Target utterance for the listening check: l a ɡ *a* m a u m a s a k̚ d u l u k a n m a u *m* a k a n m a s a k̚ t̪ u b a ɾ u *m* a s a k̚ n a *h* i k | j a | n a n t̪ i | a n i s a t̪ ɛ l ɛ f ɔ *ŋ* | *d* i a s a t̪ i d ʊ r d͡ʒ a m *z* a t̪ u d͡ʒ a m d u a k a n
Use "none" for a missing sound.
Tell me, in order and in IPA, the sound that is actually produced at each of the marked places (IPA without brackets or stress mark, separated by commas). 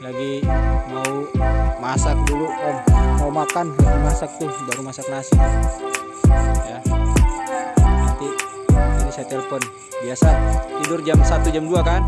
i, m, m, s, n, b, s